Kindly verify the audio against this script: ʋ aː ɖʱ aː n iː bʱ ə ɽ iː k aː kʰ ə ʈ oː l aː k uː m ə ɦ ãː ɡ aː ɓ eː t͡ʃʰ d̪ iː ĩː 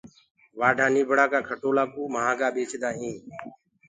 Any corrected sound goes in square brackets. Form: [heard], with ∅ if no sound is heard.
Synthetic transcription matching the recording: ʋ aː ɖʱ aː n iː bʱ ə ɽ [aː] k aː kʰ ə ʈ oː l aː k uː m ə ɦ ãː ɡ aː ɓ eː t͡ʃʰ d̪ [aː] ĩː